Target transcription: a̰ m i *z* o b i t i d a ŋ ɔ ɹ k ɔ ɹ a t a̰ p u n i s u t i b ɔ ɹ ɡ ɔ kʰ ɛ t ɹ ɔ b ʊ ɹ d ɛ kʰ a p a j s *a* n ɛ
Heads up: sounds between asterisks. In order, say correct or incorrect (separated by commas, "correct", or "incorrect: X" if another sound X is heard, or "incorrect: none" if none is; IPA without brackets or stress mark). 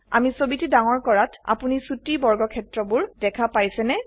incorrect: s, incorrect: ɛ